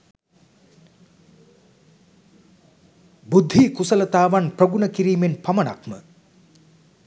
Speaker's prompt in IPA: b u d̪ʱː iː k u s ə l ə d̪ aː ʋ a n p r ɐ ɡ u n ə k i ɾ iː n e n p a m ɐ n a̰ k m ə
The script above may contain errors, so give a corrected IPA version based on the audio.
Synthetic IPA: b u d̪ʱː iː k u s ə l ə t̪ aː ʋ a n p r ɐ ɡ u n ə k i ɾ iː m e n p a m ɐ n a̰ k m ə